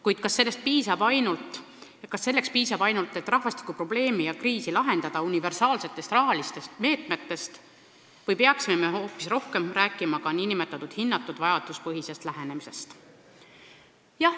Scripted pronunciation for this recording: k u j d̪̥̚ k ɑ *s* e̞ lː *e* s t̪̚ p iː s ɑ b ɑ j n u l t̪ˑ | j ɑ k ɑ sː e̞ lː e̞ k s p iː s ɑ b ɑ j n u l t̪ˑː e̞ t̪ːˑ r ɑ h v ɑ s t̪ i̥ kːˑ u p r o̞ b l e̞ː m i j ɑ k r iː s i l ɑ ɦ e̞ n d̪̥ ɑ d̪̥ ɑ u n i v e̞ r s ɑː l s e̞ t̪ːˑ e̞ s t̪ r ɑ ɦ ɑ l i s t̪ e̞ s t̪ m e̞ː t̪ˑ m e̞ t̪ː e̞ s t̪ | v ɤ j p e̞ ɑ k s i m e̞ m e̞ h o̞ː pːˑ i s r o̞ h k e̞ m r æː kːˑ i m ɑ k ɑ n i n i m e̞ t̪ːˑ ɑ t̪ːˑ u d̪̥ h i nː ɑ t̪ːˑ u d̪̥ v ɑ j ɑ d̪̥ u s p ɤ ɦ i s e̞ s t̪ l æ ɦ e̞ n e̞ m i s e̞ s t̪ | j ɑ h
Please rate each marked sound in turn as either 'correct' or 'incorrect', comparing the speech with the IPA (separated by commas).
incorrect, correct